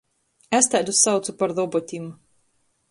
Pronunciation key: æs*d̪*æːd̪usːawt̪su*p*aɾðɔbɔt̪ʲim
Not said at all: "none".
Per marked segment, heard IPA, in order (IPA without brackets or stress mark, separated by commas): t̪, p